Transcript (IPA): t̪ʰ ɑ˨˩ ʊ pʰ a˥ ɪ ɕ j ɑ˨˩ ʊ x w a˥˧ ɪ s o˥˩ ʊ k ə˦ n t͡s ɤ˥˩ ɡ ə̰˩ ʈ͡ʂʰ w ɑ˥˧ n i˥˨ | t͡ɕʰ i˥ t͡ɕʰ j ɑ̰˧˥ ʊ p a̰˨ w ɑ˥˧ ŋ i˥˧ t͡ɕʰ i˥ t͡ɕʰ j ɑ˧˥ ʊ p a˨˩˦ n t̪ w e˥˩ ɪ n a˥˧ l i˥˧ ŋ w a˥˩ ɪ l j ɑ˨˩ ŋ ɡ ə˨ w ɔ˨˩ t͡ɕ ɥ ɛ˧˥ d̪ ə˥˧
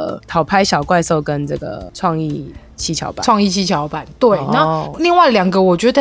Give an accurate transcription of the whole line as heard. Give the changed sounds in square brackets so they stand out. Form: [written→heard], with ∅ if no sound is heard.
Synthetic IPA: t̪ʰ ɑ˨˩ ʊ pʰ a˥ ɪ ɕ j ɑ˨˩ ʊ [x→k] w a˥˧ ɪ s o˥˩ ʊ k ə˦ n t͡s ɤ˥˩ ɡ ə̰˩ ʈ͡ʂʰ w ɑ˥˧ [n→ŋ] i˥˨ | t͡ɕʰ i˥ t͡ɕʰ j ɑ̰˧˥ ʊ p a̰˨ w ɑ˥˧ ŋ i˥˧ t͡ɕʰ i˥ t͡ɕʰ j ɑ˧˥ ʊ p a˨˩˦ n t̪ w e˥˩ ɪ n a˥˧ l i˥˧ ŋ w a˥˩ ɪ l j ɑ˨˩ ŋ ɡ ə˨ w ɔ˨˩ t͡ɕ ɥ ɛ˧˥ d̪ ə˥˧